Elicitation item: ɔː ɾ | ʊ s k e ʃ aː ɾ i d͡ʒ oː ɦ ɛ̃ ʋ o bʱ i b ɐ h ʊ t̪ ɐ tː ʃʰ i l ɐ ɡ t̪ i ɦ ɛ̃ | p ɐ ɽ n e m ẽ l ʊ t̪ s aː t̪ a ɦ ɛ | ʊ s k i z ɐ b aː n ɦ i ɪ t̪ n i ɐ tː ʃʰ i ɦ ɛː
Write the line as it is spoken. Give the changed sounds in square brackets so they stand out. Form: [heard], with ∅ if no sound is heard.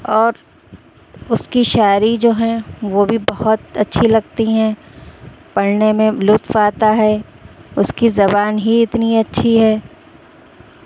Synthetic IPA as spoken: ɔː ɾ | ʊ s k [i] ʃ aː ɾ i d͡ʒ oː ɦ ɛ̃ ʋ o bʱ i b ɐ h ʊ t̪ ɐ tː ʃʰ i l ɐ ɡ t̪ i ɦ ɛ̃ | p ɐ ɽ n e m ẽ l ʊ t̪ [f] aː t̪ a ɦ ɛ | ʊ s k i z ɐ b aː n ɦ i ɪ t̪ n i ɐ tː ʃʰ i ɦ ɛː